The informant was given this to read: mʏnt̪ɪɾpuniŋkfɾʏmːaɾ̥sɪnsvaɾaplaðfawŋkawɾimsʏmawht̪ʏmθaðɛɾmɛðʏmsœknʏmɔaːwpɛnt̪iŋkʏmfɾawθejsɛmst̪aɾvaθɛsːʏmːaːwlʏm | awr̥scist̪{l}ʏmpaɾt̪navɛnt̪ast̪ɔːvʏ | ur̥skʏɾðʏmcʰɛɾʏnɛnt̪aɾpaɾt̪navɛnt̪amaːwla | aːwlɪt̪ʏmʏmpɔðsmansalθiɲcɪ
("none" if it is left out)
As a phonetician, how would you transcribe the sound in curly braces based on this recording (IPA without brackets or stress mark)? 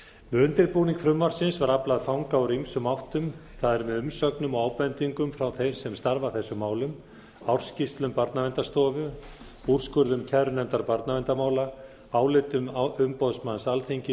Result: l